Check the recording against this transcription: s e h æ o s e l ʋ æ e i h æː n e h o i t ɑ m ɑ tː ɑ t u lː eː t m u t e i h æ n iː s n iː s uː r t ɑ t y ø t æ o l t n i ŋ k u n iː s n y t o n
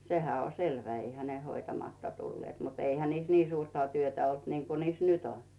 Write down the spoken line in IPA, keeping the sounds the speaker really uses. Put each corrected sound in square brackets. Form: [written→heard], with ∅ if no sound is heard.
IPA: s e h æ o s e l ʋ æ e i h [æː→æ] n e h o i t ɑ m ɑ tː ɑ t u lː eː t m u t e i h æ n iː s n iː s uː r t ɑ t y ø t æ o l t n i ŋ k u n iː s n y t o n